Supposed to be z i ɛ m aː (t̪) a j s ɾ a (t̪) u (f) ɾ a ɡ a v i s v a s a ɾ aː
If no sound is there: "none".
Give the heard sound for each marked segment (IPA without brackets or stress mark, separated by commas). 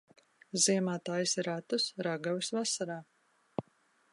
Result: t̪, t̪, s